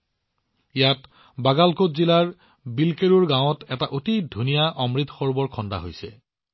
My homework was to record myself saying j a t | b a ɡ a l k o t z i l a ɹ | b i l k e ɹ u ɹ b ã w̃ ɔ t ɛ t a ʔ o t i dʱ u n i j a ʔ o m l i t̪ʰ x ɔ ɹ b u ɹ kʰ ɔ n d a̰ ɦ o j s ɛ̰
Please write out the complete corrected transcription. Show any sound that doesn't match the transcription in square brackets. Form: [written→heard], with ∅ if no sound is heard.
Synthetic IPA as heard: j a t | b a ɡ a l k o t z i l a ɹ | b i l k e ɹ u ɹ [b→ɡ] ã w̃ ɔ t ɛ t a ʔ o t i dʱ u n i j a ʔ [o→ɔ] m [l→ɹ] i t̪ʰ x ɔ ɹ b [u→ɔ] ɹ kʰ ɔ n d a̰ ɦ o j s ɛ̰